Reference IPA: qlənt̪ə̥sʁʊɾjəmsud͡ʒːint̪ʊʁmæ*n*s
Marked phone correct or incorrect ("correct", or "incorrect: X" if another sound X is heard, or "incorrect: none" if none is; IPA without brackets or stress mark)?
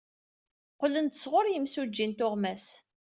incorrect: none